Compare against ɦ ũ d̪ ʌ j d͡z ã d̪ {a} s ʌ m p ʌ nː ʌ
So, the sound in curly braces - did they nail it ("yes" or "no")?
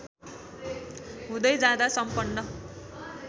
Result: yes